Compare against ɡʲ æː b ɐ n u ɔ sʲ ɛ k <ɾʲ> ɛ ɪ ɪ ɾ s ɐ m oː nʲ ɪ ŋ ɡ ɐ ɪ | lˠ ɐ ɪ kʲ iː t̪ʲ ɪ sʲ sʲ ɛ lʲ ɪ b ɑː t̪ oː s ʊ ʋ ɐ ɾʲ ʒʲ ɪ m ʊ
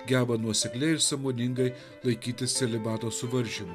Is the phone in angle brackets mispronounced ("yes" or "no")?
yes